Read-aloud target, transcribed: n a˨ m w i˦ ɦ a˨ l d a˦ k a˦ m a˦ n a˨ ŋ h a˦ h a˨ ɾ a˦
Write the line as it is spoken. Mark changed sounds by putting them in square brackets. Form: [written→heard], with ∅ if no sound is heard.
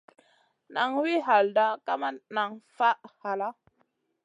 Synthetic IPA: n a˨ [m→ŋ] w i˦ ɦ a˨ l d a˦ k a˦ m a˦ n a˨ ŋ [h→f] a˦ h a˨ [ɾ→l] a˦